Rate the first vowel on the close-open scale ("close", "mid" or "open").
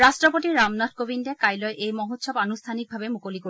open